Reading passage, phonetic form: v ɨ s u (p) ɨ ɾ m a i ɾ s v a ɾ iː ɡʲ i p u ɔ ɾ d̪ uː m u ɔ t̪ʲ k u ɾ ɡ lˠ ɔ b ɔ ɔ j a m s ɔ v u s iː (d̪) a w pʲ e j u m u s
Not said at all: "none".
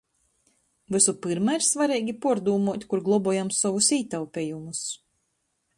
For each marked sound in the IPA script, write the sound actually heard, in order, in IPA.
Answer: p, t̪

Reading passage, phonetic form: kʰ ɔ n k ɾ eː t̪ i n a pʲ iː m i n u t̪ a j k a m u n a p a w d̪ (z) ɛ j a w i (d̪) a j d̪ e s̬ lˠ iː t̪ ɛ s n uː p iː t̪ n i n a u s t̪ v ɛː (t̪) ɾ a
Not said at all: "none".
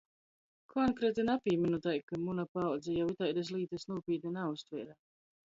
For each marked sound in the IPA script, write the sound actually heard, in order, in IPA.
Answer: z, t̪, none

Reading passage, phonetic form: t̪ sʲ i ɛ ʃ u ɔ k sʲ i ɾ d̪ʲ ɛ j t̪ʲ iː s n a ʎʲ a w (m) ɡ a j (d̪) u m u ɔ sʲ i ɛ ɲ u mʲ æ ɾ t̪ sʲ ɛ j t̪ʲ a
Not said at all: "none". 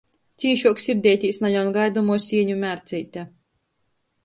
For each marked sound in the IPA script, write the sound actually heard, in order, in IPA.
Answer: n, d̪

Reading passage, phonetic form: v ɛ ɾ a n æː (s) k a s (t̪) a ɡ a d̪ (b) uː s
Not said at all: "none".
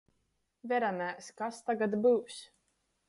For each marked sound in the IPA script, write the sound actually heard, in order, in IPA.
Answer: s, t̪, b

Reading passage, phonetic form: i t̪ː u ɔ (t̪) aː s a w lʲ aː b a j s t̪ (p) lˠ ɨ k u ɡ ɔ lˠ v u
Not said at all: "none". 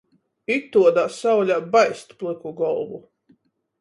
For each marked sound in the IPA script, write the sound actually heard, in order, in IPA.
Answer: d̪, p

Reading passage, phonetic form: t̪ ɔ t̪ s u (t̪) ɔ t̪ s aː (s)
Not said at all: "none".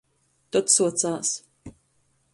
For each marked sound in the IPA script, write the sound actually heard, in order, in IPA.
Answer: none, s

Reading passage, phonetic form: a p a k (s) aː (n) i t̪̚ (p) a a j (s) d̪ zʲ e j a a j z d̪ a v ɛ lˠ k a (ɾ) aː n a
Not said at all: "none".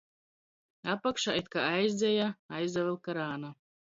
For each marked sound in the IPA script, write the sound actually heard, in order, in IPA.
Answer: ʃ, none, k, z, ɾ

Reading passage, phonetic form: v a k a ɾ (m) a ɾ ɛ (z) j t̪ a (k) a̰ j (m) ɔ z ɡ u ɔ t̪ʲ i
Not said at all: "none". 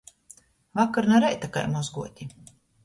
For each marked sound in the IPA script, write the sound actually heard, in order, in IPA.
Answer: n, none, k, m

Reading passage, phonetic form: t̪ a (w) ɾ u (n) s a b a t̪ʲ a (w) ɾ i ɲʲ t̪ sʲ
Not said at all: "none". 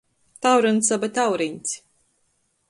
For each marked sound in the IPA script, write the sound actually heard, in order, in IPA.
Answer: w, n, w

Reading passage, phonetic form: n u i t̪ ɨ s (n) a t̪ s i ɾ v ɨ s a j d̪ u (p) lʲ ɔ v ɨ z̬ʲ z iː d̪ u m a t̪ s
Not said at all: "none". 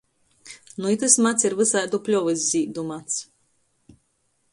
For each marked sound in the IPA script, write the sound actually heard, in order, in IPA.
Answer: m, p

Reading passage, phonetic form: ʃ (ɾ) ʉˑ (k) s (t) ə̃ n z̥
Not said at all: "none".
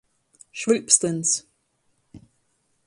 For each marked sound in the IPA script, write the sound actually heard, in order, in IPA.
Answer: ɹ, p, t

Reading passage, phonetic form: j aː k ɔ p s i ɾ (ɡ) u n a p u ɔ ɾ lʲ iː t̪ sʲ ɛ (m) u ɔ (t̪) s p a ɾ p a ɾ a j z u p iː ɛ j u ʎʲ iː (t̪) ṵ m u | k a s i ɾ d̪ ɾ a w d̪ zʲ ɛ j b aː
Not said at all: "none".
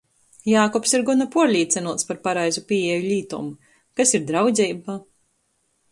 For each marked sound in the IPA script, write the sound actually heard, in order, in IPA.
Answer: ɡ, n, t̪, t̪

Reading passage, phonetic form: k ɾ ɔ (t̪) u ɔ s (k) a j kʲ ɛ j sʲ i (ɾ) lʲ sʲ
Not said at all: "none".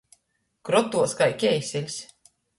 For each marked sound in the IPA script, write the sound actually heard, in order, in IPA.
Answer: t̪, k, none

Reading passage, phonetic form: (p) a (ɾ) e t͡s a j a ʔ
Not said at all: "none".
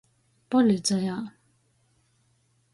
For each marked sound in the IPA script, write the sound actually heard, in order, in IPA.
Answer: p, l

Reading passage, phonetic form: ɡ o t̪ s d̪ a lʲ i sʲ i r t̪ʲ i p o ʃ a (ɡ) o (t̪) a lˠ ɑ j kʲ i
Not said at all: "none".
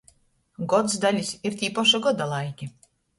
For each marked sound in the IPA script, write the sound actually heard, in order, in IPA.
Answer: ɡ, d̪

